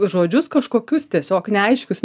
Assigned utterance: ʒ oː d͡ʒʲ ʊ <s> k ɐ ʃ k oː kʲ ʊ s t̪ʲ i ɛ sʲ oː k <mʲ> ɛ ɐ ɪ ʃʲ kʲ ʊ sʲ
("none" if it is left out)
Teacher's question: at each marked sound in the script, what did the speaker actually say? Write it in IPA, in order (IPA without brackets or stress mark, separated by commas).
s, nʲ